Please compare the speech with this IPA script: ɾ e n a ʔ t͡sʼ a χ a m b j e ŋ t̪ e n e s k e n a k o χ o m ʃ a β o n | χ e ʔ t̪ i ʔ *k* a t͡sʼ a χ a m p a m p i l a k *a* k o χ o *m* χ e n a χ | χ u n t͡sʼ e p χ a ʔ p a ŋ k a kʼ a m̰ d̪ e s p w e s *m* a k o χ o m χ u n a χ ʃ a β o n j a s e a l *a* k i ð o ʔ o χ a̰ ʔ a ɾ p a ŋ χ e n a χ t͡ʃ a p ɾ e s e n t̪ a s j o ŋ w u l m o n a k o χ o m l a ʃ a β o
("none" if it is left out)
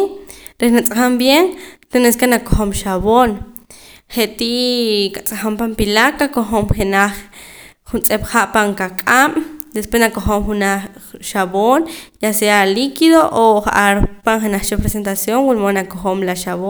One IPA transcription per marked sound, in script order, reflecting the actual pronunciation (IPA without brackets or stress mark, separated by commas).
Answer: k, a, m, n, i